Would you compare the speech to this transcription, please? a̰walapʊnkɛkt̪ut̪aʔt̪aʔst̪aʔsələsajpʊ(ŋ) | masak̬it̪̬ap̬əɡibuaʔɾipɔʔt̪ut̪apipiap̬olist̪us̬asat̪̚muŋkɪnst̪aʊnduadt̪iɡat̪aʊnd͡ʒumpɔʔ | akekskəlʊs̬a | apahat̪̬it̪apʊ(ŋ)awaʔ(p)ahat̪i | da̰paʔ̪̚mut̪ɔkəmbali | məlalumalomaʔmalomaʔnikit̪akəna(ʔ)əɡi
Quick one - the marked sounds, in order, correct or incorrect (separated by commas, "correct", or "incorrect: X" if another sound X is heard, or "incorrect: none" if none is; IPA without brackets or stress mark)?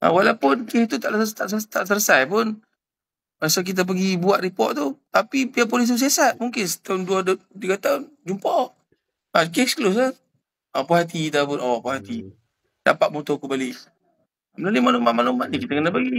incorrect: n, incorrect: n, correct, incorrect: p